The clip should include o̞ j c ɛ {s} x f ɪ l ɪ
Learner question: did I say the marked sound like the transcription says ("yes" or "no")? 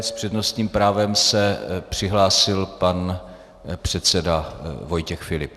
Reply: no